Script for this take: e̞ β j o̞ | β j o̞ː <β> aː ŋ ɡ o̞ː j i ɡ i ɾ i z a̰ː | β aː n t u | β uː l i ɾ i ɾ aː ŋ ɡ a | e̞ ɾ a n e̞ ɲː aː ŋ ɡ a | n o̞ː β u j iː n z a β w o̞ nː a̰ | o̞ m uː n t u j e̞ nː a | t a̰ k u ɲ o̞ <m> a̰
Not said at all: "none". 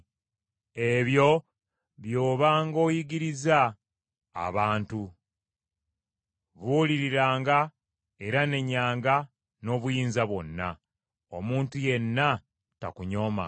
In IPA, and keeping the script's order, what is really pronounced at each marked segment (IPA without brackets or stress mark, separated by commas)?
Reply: β, m